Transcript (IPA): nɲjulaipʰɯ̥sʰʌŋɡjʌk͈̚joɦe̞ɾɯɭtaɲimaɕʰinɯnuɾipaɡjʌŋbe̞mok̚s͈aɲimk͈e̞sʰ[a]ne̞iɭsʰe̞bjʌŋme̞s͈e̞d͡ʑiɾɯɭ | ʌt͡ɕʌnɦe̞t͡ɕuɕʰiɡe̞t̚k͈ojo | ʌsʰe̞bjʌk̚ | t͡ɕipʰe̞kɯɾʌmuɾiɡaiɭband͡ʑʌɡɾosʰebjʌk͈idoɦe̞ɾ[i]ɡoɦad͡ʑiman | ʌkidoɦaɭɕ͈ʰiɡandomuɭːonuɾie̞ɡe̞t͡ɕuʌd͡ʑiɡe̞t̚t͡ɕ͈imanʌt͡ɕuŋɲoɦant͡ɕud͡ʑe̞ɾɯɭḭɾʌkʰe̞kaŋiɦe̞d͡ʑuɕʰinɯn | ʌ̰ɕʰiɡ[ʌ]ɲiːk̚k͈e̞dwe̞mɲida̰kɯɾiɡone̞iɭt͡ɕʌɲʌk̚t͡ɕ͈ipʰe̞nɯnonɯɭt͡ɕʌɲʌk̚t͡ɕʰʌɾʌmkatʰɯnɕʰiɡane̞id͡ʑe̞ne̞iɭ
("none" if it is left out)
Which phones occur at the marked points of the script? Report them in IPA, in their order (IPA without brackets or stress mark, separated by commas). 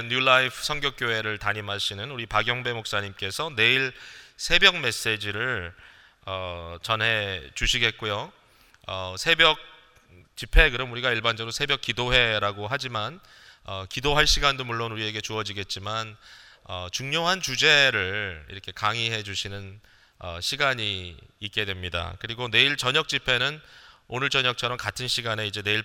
ʌ, a, a